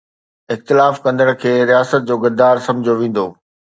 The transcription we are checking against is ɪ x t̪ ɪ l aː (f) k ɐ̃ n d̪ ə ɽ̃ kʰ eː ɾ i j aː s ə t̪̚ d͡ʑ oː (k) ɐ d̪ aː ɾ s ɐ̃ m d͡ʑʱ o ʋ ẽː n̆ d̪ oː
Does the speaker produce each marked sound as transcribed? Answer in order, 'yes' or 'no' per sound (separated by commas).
yes, no